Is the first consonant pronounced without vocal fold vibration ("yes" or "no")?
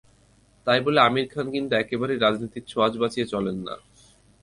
yes